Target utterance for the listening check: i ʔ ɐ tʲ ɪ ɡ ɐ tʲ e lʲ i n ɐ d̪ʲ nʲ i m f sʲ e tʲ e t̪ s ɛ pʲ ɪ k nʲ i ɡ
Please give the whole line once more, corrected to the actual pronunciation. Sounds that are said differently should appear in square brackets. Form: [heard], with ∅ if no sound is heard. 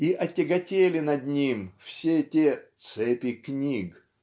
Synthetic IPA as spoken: i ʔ ɐ tʲ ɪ ɡ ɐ tʲ e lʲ [ɪ] n ɐ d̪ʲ nʲ i m f sʲ e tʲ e t̪ s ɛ pʲ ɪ k nʲ i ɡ